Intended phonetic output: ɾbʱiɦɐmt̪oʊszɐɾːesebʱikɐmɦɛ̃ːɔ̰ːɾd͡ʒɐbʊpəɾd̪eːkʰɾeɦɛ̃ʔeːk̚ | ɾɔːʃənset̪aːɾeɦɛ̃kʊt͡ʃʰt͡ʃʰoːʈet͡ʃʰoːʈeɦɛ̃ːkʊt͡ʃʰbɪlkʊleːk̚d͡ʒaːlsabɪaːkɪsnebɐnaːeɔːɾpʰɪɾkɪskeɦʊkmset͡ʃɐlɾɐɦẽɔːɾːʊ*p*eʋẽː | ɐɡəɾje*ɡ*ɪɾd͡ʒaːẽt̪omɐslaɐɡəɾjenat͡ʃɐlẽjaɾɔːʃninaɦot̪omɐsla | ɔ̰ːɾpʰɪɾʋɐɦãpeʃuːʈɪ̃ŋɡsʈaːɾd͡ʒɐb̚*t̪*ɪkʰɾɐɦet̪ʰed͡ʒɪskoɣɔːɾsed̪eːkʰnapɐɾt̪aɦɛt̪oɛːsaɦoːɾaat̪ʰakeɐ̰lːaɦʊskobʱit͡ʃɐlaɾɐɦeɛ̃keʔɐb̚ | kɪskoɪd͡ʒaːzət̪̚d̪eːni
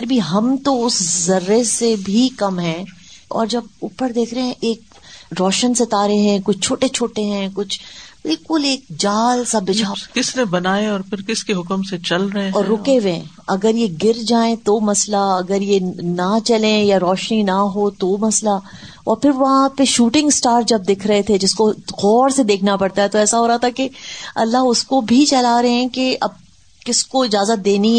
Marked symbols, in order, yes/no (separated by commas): no, yes, no